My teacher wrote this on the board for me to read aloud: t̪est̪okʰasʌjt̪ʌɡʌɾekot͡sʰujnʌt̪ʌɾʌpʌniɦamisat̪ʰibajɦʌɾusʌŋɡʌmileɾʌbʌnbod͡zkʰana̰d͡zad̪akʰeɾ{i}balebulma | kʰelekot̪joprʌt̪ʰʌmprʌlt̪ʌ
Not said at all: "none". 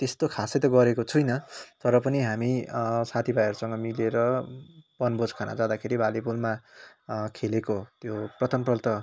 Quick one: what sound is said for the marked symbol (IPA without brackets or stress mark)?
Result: i